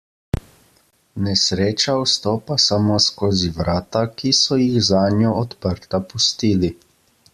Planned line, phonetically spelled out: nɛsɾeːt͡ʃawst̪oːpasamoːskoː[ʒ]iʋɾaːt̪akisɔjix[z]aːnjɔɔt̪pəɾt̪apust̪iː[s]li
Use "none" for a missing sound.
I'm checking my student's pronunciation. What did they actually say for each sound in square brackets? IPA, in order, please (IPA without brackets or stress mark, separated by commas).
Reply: z, z, none